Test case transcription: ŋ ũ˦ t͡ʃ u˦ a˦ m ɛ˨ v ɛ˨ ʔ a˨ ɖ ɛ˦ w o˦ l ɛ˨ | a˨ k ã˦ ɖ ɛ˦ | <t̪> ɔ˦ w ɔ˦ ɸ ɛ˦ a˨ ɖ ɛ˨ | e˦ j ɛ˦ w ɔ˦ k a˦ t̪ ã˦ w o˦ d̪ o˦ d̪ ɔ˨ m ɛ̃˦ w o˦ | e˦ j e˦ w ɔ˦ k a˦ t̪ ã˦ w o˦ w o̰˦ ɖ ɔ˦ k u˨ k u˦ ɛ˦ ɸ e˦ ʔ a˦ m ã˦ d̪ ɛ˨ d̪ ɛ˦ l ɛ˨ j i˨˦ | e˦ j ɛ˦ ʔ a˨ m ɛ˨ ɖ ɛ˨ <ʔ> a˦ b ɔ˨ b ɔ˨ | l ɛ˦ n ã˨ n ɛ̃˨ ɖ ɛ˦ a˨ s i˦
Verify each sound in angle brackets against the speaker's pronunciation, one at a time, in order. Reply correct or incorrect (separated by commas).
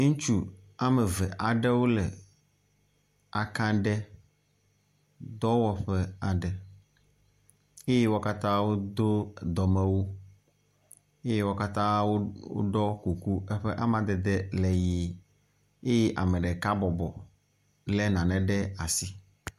incorrect, incorrect